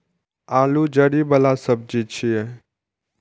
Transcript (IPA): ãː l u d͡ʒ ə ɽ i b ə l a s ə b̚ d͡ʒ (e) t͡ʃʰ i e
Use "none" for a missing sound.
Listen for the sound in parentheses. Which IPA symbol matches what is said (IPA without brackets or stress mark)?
i